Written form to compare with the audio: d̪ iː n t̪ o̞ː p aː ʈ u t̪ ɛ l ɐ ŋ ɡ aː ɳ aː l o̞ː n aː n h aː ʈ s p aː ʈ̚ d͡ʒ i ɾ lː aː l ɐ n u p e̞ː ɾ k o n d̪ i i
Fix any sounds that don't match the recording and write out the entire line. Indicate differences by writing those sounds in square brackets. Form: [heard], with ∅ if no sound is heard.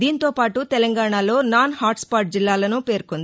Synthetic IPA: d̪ iː n t̪ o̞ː p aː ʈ u t̪ ɛ l ɐ ŋ ɡ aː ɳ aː l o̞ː n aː n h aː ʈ s p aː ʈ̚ d͡ʒ i [∅] lː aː l ɐ n u p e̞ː ɾ k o n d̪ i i